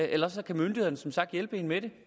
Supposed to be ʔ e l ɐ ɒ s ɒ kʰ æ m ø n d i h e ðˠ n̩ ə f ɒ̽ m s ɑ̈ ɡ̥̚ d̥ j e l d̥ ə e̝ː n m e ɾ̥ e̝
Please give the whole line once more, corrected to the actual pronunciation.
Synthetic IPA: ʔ e l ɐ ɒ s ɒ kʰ æ m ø n d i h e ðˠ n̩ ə s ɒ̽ m s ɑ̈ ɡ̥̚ d̥ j e l b̥ ə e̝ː n m e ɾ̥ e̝